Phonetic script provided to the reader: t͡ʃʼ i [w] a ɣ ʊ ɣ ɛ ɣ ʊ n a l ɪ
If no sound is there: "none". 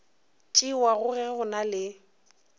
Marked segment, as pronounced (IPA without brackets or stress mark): w